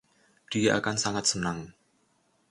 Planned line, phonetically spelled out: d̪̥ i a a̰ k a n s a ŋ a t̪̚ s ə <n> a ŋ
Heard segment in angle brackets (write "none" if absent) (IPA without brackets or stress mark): n